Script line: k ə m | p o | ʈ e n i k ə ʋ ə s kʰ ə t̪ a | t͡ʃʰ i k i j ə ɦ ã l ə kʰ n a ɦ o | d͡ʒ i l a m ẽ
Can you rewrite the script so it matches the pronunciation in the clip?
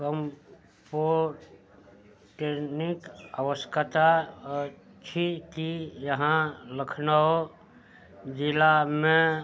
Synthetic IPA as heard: k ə m | p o | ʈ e n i k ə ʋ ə s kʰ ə t̪ a | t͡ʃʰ i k i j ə ɦ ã l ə kʰ n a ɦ o | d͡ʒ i l a m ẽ